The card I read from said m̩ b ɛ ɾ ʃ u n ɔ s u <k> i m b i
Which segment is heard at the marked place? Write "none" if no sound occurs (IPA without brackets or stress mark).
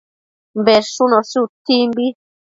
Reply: t